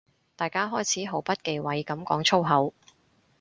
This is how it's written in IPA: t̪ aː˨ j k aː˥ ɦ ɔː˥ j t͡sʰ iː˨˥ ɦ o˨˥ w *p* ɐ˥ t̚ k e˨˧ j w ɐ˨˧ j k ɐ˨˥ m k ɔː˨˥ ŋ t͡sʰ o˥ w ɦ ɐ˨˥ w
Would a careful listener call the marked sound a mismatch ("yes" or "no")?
no